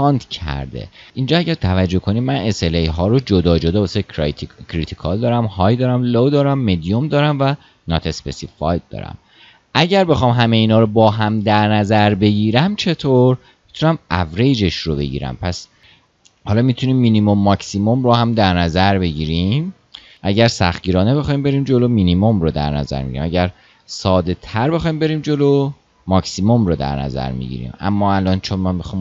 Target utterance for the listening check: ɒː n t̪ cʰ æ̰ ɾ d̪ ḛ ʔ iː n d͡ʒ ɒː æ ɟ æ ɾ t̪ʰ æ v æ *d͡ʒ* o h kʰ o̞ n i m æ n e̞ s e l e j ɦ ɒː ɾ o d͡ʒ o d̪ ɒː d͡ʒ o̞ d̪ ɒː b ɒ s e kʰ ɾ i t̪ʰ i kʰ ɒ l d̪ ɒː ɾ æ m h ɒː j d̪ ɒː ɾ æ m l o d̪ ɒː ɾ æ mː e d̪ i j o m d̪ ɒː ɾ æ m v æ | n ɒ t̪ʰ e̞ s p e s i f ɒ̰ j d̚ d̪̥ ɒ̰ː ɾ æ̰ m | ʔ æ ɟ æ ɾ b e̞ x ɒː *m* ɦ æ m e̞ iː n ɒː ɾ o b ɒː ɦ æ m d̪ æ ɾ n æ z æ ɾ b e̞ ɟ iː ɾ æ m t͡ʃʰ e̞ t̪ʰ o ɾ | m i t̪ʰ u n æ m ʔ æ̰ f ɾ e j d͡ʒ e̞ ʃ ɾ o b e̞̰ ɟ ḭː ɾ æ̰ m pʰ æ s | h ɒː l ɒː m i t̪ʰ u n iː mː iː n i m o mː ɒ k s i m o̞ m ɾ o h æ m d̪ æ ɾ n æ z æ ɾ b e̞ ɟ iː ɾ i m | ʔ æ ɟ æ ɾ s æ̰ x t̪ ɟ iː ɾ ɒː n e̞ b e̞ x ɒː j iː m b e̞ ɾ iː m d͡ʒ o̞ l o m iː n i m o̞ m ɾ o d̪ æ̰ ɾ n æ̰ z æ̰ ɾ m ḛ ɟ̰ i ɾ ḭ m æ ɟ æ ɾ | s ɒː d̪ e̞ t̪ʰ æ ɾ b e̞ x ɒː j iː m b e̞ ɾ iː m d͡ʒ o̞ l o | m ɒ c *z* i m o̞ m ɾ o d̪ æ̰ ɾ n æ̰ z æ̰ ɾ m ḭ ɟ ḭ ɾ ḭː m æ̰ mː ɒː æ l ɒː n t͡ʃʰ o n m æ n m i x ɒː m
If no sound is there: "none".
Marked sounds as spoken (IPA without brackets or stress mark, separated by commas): d͡ʒː, m, s